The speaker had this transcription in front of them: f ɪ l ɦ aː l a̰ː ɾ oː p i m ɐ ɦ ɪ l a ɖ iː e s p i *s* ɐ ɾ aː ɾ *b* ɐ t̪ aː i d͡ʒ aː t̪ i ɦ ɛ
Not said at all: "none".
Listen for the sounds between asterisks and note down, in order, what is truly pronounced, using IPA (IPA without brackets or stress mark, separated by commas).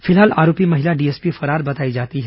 f, b